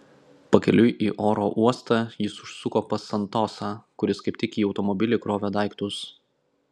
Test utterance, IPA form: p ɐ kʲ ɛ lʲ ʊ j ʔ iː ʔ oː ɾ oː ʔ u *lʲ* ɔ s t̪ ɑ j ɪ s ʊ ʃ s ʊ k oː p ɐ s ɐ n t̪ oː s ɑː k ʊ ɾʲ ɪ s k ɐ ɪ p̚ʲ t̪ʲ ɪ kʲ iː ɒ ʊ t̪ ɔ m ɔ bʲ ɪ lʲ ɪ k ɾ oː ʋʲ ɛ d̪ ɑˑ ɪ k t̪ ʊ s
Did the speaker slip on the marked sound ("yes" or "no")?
yes